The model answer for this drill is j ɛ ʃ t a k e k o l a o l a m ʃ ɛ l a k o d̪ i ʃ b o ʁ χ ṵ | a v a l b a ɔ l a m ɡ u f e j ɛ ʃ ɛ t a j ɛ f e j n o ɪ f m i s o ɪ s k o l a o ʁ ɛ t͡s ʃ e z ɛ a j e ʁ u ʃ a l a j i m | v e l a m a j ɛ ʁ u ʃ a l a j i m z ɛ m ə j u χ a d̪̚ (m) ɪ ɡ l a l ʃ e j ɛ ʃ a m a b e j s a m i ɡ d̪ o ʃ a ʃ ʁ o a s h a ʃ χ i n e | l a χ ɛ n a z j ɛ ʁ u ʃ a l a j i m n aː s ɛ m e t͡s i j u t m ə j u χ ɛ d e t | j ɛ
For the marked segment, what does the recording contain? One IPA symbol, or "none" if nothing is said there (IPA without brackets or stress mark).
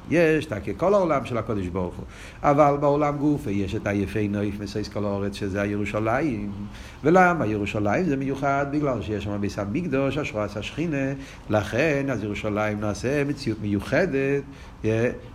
b